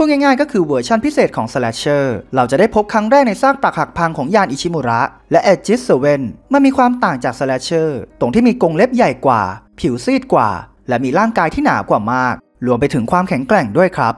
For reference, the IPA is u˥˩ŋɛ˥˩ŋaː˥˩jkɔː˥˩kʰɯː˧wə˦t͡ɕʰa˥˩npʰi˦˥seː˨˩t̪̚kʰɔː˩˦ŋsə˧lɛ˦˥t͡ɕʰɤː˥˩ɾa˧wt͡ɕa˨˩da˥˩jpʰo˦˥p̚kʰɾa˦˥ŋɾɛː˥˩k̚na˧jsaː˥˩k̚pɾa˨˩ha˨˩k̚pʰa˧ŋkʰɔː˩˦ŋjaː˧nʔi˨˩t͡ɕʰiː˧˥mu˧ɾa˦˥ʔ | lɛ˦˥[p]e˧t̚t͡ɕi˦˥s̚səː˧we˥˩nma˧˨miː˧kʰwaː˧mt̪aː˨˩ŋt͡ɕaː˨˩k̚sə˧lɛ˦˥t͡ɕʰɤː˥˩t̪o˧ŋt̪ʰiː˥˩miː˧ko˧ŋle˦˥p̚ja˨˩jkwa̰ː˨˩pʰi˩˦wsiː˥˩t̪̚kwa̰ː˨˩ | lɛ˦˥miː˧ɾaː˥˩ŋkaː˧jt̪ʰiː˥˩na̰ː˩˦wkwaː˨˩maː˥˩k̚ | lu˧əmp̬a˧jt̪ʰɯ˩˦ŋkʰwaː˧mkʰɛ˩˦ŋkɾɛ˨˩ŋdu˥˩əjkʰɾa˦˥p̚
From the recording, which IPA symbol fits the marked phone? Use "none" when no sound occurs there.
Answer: ʔ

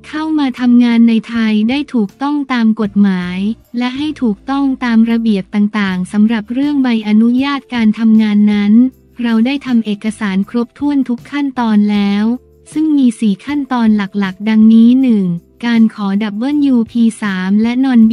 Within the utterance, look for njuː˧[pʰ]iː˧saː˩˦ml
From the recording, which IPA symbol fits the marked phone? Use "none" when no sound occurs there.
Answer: pʰ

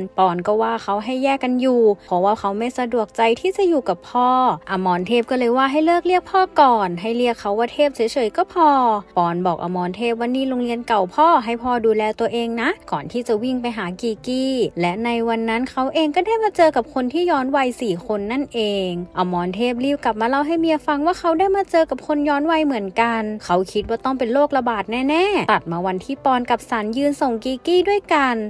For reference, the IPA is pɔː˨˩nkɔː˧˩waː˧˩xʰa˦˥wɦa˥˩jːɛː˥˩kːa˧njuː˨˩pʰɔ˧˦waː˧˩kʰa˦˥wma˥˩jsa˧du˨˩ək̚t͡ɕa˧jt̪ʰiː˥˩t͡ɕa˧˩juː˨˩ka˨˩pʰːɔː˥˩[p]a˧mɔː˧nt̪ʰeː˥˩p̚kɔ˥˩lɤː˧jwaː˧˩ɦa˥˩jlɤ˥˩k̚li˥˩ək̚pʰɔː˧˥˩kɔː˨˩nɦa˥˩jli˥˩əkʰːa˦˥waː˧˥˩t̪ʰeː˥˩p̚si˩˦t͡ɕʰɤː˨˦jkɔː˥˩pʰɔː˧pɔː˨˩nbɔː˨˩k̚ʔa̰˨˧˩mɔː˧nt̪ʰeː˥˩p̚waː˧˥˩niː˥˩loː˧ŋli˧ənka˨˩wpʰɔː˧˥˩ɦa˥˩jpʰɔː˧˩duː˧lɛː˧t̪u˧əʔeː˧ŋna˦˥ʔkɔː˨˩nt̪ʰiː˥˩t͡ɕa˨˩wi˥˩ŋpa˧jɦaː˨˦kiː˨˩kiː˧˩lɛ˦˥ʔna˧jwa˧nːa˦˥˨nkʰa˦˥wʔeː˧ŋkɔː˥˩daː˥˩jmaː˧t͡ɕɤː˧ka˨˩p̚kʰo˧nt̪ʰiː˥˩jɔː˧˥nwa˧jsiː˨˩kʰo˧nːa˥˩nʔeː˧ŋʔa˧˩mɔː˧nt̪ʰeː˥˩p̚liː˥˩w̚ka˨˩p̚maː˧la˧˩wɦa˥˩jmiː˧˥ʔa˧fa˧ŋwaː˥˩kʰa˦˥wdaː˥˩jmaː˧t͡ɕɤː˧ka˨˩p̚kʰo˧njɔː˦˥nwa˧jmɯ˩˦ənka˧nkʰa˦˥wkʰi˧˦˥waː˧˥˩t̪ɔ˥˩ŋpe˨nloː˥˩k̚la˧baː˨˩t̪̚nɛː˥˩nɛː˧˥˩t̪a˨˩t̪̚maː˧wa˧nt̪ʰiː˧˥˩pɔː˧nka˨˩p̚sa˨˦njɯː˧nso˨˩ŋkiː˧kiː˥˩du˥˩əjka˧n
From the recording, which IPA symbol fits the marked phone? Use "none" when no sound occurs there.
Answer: ʔ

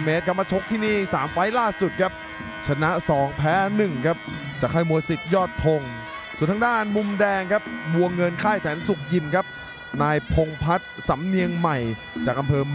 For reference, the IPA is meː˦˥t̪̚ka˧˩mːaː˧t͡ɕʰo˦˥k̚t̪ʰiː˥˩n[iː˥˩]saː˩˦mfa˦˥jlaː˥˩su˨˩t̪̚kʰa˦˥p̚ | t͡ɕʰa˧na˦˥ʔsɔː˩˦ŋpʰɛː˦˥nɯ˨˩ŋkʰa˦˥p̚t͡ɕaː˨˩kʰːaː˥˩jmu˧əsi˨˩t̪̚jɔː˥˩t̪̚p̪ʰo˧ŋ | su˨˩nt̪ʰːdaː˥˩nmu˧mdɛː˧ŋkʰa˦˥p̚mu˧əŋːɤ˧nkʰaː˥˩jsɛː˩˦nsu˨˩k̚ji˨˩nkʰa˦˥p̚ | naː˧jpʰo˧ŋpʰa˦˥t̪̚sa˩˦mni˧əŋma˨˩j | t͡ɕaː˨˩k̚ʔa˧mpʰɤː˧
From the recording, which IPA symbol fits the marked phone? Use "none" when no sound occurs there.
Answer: iː˥˩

